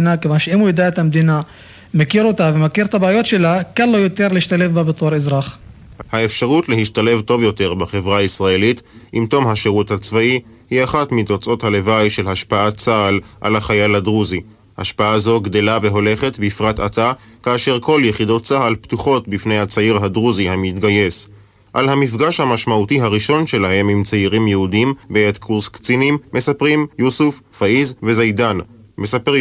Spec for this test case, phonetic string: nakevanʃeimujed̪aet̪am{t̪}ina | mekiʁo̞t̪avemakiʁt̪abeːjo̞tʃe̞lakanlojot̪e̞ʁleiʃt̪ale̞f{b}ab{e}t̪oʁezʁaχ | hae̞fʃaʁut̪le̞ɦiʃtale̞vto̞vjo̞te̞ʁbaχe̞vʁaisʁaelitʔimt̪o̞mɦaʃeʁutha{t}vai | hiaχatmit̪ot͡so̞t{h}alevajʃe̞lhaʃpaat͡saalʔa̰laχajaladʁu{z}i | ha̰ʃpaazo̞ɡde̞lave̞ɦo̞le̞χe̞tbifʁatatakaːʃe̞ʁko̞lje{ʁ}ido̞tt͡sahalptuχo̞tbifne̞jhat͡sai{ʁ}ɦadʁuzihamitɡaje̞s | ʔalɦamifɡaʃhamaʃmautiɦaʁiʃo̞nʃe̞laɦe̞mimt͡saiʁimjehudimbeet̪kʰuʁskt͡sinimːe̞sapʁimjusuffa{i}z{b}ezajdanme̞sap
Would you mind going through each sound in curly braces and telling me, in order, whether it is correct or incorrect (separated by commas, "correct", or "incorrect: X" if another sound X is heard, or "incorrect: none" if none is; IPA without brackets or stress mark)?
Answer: incorrect: d̪, correct, correct, incorrect: t͡s, correct, correct, incorrect: χ, correct, correct, incorrect: v